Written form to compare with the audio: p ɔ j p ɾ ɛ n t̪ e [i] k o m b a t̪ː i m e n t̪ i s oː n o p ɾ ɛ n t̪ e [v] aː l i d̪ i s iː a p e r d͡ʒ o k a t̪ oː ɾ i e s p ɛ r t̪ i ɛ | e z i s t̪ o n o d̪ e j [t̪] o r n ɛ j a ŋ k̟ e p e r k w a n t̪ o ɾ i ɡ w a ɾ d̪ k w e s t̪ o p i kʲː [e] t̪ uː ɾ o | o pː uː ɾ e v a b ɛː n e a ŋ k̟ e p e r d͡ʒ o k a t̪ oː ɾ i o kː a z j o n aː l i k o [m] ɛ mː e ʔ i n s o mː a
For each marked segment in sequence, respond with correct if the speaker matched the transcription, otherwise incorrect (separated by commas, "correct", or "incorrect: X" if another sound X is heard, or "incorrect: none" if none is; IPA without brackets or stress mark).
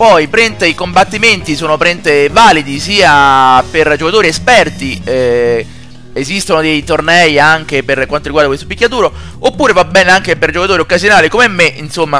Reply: correct, correct, correct, incorrect: a, correct